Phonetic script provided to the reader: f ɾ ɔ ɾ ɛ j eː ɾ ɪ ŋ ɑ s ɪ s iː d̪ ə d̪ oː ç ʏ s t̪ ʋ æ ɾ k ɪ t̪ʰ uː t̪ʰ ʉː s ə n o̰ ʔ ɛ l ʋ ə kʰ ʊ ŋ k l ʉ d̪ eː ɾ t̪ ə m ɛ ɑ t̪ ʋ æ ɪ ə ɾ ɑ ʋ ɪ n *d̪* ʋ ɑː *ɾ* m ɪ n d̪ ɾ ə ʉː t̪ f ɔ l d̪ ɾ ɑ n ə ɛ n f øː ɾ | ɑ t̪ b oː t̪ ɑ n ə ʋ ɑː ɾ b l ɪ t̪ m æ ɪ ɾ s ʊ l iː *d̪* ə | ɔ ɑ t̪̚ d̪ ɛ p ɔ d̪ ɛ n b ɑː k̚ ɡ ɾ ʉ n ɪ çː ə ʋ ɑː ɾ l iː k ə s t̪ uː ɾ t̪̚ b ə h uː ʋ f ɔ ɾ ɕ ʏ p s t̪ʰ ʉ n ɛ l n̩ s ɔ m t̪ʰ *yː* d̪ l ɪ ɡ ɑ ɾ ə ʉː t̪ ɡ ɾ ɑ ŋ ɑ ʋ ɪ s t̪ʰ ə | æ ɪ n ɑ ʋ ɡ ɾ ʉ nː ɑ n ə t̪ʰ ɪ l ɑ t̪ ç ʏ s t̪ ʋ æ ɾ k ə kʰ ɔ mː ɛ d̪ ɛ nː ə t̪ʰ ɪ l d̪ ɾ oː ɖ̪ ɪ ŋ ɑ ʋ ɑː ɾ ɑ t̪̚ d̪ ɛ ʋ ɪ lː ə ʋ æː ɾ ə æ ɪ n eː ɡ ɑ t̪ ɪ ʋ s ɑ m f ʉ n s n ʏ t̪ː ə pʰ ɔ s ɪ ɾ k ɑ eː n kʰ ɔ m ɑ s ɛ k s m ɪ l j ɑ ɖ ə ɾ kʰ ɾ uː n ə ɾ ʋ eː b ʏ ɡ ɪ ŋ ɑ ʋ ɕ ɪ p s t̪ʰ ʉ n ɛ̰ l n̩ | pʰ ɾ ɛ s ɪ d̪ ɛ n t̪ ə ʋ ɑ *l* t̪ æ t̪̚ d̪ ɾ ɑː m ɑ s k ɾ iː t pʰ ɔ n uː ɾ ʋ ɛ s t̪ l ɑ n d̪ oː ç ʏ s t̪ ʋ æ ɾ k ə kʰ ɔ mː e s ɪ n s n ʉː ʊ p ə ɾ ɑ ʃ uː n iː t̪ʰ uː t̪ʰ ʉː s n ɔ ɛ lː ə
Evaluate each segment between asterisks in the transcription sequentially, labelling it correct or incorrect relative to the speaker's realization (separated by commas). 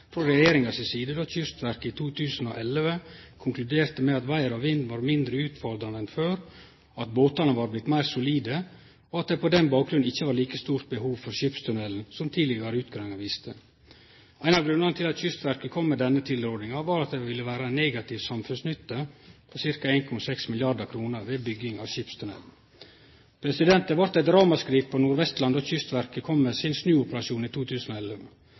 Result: correct, correct, correct, incorrect, incorrect